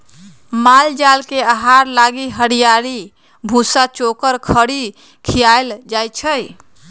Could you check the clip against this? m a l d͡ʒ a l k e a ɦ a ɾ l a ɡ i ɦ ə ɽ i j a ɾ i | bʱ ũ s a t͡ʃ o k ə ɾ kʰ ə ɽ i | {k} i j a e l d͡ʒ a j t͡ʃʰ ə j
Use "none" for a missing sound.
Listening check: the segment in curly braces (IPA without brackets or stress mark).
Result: kʰ